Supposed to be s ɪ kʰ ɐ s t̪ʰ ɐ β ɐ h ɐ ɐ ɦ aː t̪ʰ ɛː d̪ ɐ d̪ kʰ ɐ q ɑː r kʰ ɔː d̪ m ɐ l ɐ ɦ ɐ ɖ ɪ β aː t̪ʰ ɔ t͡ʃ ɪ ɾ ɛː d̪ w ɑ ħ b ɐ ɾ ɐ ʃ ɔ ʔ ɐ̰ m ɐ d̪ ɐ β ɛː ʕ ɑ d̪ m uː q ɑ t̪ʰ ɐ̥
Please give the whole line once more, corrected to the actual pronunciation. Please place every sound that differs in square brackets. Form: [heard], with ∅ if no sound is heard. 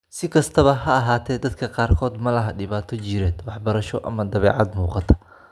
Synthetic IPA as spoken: s ɪ kʰ ɐ s t̪ʰ ɐ β ɐ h ɐ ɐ ɦ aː t̪ʰ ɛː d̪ ɐ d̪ kʰ ɐ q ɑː r kʰ ɔː d̪ m ɐ l ɐ ɦ ɐ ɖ ɪ β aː t̪ʰ ɔ t͡ʃ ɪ ɾ ɛː d̪ w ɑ ħ b ɐ ɾ ɐ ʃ ɔ ʔ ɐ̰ m ɐ d̪ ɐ β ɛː ʕ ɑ d̪ m uː q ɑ t̪ʰ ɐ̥

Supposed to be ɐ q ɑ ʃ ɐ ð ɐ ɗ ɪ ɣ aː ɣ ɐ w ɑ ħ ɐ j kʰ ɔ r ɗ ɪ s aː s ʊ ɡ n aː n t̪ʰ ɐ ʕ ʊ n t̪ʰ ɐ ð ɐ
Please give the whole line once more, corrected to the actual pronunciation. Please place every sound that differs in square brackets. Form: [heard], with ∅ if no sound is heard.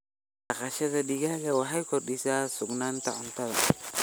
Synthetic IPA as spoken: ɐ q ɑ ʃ ɐ ð ɐ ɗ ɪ ɣ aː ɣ ɐ w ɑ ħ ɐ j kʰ ɔ r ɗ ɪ s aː s ʊ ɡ n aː n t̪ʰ ɐ ʕ ʊ n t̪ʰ ɐ ð ɐ

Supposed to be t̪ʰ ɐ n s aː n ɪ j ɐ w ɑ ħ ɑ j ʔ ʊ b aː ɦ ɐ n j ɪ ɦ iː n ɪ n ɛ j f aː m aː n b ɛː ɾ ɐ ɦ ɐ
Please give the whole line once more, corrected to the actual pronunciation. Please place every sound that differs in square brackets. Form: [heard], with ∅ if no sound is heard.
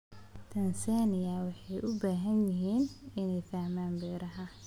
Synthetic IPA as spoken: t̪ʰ ɐ n s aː n ɪ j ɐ w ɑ ħ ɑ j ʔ ʊ b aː ɦ ɐ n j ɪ ɦ iː n ɪ n ɛ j f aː m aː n b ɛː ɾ ɐ ɦ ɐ

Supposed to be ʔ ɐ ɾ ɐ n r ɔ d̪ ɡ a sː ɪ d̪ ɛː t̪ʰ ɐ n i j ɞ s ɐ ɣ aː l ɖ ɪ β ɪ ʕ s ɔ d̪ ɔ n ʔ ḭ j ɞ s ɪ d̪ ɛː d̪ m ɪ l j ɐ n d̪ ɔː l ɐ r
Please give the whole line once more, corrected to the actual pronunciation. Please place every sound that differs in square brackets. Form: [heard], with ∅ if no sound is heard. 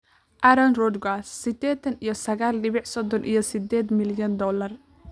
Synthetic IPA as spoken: ʔ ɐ ɾ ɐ n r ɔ d̪ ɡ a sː ɪ d̪ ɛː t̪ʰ ɐ n i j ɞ s ɐ ɣ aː l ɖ ɪ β ɪ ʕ s ɔ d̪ ɔ n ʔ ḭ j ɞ s ɪ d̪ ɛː d̪ m ɪ l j ɐ n d̪ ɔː l ɐ r

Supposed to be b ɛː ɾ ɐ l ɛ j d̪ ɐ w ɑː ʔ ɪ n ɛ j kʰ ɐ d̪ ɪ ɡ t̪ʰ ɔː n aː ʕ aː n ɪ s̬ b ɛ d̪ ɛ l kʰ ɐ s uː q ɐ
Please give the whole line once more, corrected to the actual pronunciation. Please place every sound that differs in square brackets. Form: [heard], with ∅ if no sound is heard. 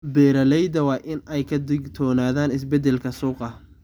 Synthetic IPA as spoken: b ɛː ɾ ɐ l ɛ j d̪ ɐ w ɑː ʔ ɪ n ɛ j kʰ ɐ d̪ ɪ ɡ t̪ʰ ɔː n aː [ð] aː n ɪ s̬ b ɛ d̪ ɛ l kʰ ɐ s uː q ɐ

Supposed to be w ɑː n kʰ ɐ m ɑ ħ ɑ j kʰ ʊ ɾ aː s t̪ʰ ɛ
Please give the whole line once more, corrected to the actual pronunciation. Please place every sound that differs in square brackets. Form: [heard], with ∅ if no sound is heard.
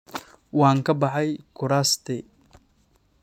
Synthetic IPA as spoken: w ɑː [ŋ] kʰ ɐ [b] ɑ ħ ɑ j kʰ ʊ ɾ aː s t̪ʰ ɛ

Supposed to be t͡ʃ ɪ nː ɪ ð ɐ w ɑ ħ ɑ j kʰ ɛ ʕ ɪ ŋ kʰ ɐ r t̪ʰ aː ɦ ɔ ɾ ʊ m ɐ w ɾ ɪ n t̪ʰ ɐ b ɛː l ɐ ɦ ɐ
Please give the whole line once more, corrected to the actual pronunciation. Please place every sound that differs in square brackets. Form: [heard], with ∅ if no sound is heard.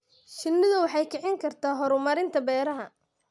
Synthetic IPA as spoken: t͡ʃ ɪ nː ɪ ð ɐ w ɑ ħ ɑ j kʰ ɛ ʕ ɪ ŋ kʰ ɐ r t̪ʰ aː ɦ ɔ ɾ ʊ m ɐ [∅] ɾ ɪ n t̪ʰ ɐ b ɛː [ɾ] ɐ ɦ ɐ

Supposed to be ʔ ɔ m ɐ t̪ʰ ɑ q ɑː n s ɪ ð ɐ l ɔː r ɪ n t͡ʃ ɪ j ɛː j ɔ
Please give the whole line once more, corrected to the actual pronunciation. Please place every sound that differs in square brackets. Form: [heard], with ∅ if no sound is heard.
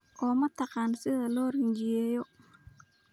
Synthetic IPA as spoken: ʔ [ɔː] m ɐ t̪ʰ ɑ q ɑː n s ɪ ð ɐ l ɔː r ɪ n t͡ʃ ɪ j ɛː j ɔ

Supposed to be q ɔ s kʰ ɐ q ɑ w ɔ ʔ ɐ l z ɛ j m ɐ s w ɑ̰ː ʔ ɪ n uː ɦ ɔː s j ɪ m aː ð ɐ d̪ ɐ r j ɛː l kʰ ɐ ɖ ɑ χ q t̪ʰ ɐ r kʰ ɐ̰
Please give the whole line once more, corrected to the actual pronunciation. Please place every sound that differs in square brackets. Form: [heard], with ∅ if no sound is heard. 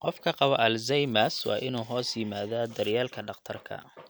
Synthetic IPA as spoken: q ɔ [f] kʰ ɐ q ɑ [β] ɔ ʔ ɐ l z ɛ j m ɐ s w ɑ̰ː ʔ ɪ n uː ɦ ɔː s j ɪ m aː ð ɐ d̪ ɐ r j [aː] l kʰ ɐ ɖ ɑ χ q t̪ʰ ɐ r kʰ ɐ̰

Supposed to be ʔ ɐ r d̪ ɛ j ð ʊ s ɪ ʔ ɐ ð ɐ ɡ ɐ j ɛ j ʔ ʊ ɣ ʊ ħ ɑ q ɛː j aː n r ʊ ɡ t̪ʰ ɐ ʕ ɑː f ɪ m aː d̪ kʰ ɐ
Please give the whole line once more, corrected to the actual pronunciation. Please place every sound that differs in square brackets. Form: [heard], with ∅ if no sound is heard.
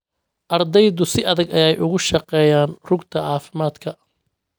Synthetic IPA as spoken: ʔ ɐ r d̪ ɛ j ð ʊ s ɪ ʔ ɐ ð ɐ ɡ ɐ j ɛ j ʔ ʊ ɣ ʊ [ʃ] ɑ q ɛː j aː n r ʊ ɡ t̪ʰ ɐ ʕ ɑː f ɪ m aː d̪ kʰ ɐ

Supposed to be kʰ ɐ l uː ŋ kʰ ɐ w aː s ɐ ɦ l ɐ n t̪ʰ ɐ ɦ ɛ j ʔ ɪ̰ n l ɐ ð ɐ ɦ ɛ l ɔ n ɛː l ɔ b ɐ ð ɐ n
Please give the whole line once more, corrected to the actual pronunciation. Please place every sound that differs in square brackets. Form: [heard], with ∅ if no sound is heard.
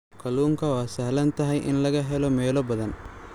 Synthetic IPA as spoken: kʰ ɐ l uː ŋ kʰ ɐ w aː s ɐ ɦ l ɐ n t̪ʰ ɐ ɦ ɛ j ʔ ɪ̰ n l ɐ [ɣ] ɐ ɦ ɛ l ɔ [m] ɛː l ɔ b ɐ ð ɐ n

